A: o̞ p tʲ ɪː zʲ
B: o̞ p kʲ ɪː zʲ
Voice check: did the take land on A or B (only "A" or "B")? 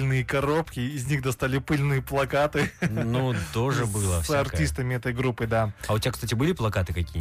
B